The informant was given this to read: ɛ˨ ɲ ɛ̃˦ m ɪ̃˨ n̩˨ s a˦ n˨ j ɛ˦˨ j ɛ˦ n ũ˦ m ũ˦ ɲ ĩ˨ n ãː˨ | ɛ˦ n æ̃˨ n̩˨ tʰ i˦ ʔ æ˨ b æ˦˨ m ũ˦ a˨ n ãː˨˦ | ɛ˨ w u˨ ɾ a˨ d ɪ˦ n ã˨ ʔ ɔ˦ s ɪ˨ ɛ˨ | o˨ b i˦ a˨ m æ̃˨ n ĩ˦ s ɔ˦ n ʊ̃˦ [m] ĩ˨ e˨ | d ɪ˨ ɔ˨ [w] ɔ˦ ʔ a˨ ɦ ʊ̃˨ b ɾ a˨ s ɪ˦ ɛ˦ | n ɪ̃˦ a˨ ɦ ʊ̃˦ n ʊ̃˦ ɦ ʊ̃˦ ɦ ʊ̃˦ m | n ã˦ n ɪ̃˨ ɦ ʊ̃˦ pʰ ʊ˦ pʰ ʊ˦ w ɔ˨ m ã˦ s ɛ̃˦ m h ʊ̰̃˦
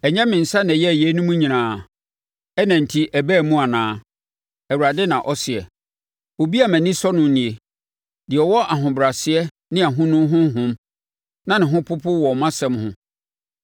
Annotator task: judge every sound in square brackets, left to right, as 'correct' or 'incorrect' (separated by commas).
incorrect, correct